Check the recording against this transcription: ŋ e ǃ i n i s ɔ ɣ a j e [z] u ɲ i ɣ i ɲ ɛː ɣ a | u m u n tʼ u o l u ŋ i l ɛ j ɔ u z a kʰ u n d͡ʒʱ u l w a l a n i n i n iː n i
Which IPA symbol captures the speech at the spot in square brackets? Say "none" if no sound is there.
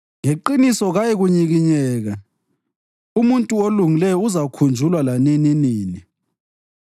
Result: ɣ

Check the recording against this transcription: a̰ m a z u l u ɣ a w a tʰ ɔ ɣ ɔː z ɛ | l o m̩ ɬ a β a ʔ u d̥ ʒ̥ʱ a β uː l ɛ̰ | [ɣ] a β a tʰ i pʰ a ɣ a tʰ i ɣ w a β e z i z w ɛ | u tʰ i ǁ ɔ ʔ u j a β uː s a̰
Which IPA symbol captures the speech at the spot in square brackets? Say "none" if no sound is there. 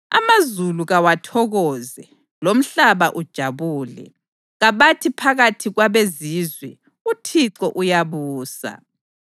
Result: ɣ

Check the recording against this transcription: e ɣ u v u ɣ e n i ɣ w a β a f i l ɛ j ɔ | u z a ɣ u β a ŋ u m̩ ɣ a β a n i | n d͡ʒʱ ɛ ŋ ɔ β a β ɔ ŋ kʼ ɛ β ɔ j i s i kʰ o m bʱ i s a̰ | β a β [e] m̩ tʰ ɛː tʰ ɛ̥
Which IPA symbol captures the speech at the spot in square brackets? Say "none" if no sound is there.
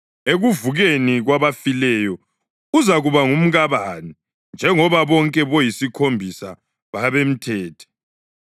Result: e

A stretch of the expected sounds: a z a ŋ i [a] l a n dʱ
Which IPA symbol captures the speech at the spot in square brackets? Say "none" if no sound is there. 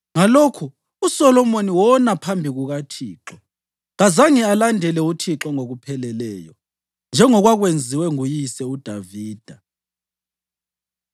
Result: a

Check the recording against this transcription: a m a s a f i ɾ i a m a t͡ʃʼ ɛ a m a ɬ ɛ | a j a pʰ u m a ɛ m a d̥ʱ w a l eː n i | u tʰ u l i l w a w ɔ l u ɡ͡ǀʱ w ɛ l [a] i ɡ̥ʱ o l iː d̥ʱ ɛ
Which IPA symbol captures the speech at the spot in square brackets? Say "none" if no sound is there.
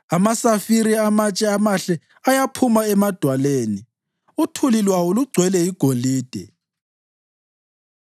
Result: ɛ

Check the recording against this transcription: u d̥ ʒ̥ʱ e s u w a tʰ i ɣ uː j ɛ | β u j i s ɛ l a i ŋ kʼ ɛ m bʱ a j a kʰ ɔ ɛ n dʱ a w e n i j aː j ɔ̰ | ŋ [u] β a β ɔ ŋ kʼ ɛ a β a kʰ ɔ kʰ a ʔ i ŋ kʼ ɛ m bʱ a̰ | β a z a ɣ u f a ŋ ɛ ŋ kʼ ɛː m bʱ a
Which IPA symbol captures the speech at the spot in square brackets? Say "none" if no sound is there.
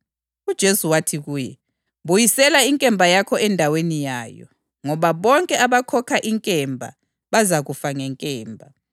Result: ɔ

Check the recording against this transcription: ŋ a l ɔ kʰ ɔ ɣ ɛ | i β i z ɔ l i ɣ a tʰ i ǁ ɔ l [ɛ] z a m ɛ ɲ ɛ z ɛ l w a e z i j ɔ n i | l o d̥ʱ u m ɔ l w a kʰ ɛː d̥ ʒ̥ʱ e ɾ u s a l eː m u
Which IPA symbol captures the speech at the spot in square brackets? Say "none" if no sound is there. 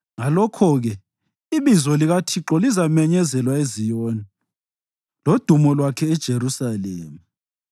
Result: i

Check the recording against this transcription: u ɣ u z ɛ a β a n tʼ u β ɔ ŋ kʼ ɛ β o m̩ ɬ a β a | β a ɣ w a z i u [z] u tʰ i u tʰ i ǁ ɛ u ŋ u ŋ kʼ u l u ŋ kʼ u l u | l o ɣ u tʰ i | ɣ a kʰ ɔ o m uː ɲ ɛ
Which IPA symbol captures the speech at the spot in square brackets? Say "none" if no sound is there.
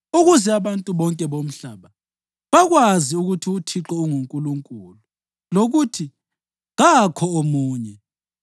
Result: ɣ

